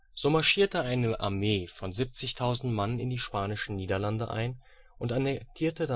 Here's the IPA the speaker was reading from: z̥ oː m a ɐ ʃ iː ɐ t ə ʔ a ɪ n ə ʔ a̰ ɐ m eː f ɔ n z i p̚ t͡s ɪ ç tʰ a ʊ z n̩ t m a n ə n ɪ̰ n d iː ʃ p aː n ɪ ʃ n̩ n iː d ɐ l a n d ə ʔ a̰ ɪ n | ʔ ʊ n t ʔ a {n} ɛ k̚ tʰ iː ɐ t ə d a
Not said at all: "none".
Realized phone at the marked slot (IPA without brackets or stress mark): n